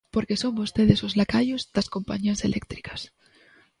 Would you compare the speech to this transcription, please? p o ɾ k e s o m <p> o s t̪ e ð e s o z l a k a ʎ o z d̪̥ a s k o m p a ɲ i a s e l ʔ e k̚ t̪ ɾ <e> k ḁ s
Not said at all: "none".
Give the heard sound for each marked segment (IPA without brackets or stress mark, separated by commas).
b, i